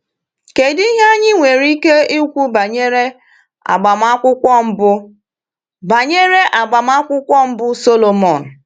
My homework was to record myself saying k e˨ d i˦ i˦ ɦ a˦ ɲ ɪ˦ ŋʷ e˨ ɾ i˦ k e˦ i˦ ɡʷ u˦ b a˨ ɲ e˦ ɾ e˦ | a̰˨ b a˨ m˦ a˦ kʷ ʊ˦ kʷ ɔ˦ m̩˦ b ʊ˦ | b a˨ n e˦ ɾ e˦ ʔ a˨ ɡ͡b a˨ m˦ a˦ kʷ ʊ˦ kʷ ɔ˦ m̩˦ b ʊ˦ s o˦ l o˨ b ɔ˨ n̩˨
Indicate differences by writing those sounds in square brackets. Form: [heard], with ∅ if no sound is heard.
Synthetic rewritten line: k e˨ d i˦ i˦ ɦ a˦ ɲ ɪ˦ ŋʷ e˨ ɾ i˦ k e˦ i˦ [kʷ] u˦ b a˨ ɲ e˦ ɾ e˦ | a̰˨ [ɡ͡b] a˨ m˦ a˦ kʷ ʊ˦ kʷ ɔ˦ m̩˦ b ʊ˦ | b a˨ [ɲ] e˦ ɾ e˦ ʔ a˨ ɡ͡b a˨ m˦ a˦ kʷ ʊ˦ kʷ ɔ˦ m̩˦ b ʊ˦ s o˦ l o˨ [m] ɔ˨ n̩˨